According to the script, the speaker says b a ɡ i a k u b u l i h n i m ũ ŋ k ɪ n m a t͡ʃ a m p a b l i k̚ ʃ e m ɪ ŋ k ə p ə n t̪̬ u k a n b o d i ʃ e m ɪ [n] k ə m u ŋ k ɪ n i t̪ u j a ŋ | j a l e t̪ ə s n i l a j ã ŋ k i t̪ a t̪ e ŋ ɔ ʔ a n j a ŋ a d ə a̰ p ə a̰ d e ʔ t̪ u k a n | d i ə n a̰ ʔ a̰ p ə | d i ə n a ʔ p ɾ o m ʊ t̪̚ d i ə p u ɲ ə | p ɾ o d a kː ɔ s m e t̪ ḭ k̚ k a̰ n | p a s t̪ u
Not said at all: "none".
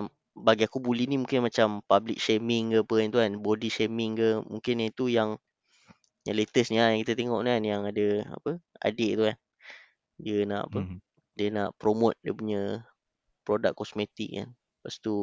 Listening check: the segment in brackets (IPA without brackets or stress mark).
ŋ